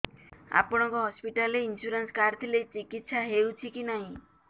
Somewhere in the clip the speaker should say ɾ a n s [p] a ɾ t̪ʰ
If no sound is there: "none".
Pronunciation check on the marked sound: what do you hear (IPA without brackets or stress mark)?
k